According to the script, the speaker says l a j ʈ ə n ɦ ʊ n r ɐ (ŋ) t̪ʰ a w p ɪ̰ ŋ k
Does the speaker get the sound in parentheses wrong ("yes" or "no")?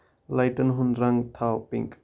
no